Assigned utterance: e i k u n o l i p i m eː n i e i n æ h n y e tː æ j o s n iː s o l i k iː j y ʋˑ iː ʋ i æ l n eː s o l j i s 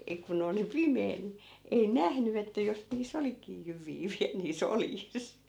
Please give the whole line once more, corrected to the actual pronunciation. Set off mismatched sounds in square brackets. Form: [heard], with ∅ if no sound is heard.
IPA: e i k u n o l i p i m eː n i e i n æ h n y e tː æ j o s n iː s o l i k iː j y ʋˑ iː ʋ i æ l n [iː] s o l j i s